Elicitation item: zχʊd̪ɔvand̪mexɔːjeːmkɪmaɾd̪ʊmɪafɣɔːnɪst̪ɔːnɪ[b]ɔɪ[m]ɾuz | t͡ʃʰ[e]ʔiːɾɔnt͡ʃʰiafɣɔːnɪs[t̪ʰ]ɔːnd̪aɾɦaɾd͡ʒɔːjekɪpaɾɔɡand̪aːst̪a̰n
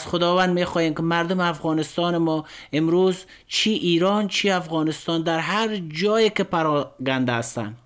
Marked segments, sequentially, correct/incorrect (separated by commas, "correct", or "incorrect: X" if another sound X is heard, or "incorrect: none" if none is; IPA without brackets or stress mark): incorrect: m, correct, incorrect: i, incorrect: t̪